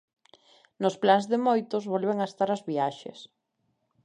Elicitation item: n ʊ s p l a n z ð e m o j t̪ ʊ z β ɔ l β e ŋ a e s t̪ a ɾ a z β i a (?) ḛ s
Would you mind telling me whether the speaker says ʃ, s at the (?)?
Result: ʃ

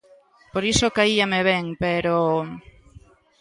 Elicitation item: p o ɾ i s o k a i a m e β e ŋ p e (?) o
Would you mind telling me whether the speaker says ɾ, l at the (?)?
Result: ɾ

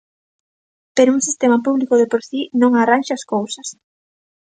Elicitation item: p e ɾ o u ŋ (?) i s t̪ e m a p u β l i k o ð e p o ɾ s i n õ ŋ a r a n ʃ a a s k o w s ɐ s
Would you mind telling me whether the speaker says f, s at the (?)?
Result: s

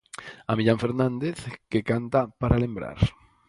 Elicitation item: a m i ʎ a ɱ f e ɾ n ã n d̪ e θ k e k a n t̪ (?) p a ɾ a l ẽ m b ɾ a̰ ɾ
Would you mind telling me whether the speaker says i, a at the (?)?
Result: a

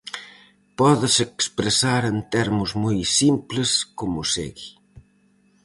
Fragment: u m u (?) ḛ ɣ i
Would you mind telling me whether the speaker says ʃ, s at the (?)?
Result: s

